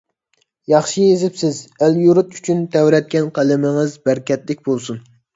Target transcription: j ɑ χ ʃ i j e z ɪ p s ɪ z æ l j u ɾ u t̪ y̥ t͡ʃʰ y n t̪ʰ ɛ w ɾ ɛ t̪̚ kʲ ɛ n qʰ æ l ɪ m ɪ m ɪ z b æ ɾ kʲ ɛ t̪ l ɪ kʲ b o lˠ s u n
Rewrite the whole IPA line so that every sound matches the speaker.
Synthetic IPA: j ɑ χ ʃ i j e z ɪ p s ɪ z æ l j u ɾ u t̪ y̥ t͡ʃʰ y n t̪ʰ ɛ w ɾ ɛ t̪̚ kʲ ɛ n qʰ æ l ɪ m ɪ ŋ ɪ z b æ ɾ kʲ ɛ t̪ l ɪ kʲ b o lˠ s u n